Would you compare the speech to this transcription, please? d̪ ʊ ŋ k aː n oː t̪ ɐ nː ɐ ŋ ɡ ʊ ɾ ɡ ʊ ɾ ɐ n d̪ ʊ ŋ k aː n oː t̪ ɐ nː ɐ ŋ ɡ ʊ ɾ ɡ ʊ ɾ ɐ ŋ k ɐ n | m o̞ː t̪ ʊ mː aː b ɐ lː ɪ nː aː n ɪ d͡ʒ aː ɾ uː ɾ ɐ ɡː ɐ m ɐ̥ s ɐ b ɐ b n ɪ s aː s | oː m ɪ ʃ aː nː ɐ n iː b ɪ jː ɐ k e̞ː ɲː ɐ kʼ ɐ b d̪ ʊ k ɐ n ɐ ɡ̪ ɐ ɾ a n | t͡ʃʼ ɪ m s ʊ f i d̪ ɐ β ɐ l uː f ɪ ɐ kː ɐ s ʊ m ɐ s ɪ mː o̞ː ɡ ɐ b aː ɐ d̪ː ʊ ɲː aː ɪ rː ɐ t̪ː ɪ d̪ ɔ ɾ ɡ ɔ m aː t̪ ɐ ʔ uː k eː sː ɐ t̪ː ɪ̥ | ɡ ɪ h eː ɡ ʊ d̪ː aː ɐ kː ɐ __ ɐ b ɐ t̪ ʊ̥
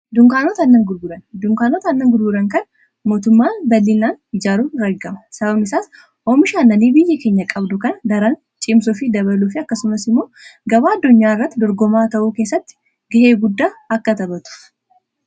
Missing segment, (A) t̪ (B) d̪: A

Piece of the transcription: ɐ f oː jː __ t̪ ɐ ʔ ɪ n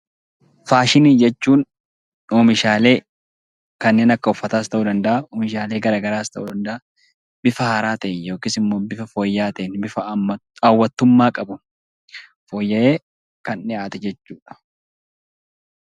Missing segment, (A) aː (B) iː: A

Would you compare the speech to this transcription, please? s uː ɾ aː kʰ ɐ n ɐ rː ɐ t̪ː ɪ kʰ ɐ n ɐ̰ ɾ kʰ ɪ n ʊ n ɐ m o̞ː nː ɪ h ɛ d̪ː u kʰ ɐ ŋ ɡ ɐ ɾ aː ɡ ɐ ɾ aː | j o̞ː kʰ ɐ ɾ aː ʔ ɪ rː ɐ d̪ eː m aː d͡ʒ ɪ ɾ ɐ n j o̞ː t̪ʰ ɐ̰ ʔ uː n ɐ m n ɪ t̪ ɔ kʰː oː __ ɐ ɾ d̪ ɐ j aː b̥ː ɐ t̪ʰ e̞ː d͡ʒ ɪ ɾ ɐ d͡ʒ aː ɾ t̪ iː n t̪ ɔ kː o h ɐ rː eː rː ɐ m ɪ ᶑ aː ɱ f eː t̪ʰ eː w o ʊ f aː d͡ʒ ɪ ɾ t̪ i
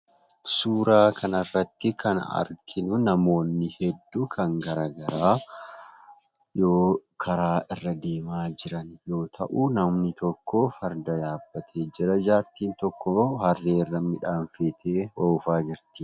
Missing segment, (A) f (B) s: A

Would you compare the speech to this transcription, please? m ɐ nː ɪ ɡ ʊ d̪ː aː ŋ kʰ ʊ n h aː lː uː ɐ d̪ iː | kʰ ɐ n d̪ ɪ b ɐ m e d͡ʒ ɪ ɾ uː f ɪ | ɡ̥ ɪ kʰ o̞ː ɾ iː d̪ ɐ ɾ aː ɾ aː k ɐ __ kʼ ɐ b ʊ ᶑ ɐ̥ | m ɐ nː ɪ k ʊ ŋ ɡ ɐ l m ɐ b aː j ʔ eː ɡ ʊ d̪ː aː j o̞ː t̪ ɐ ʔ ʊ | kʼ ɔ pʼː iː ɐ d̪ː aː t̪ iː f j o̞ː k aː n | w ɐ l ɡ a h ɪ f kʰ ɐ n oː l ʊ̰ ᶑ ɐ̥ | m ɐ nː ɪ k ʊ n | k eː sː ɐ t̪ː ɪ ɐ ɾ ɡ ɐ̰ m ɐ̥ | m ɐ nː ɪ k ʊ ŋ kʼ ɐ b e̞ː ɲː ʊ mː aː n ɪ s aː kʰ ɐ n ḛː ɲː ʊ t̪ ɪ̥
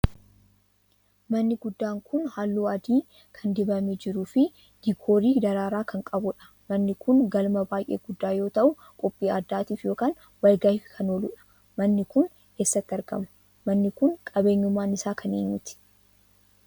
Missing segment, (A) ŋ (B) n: A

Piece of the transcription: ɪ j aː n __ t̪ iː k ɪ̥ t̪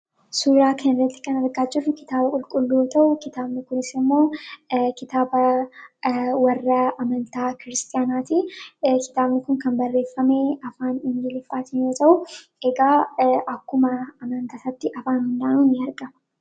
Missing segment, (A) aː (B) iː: A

